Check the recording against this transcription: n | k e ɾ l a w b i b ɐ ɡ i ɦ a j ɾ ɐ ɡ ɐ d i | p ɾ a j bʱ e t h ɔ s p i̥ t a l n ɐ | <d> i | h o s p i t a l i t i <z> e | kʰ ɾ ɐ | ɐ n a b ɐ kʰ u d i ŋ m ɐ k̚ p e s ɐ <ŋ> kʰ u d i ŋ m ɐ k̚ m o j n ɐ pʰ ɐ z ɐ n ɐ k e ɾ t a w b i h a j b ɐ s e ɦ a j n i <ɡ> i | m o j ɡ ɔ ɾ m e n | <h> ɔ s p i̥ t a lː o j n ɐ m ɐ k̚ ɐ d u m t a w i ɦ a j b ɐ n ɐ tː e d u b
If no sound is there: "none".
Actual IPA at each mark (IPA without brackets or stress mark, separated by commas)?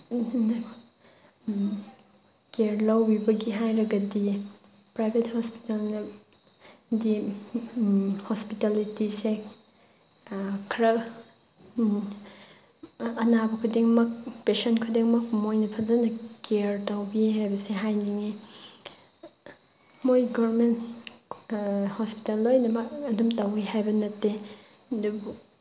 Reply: d, s, n, ŋ, h